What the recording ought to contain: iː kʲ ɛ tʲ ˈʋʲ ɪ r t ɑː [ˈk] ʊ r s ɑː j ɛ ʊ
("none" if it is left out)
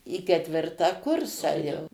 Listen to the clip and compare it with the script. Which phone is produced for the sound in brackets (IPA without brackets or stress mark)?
k